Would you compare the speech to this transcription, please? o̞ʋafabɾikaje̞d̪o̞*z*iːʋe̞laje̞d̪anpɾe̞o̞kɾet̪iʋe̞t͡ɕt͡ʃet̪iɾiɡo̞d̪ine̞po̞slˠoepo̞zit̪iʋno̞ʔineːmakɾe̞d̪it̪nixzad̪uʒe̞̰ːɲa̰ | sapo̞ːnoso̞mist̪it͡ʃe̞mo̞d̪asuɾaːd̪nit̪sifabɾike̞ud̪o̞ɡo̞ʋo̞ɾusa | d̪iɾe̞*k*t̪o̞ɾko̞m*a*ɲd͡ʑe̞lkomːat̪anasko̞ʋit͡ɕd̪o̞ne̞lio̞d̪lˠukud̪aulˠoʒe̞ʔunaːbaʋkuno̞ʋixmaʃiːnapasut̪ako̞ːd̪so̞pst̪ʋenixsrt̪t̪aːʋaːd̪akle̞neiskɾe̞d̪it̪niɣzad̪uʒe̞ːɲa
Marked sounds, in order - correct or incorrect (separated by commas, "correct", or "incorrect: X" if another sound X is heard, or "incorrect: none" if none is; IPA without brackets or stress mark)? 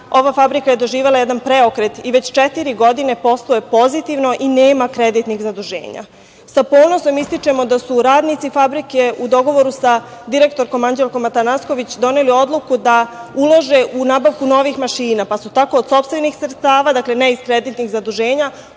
incorrect: ʒ, correct, correct